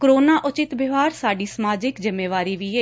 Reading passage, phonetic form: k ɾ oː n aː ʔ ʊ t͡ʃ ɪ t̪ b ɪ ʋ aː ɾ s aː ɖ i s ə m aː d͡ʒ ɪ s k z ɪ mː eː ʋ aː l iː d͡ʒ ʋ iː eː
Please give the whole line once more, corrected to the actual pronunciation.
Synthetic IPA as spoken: k ɾ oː n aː ʔ ʊ t͡ʃ ɪ t̪ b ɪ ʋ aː ɾ s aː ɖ iː s ə m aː d͡ʒ ɪ k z ɪ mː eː ʋ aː ɾ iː ʋ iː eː